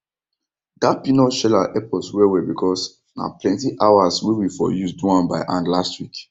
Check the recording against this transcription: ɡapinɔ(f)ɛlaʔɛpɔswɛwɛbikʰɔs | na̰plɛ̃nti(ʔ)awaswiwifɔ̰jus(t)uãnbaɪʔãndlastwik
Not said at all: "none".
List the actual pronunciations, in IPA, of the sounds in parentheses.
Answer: ʃ, ʔ, d

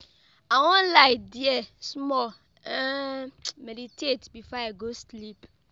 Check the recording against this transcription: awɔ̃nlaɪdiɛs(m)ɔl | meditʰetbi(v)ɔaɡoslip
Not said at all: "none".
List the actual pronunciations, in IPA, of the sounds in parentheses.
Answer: m, f

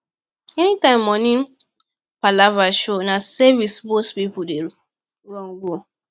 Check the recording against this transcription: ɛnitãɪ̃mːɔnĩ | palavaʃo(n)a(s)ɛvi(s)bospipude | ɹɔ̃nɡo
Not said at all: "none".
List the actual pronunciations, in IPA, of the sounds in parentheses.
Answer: n, s, s

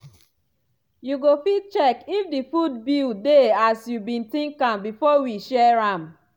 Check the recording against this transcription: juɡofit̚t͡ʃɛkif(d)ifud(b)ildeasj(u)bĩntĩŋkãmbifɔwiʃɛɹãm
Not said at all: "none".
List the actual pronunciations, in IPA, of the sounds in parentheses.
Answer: d, b, u

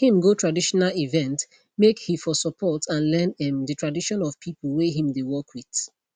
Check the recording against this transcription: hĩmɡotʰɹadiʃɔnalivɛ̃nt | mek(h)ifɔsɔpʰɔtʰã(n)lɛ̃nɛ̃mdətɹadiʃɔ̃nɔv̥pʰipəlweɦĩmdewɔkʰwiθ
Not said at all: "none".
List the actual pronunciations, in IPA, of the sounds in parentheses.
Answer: h, n

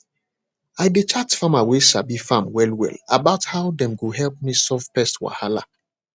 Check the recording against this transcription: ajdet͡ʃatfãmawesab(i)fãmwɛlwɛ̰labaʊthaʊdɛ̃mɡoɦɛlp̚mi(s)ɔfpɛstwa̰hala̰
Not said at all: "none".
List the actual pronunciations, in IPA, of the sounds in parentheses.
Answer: i, s

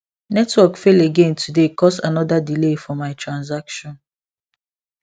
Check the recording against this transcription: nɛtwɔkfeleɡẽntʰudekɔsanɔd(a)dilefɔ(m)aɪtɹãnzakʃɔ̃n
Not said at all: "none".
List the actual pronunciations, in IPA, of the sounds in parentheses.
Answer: a, m

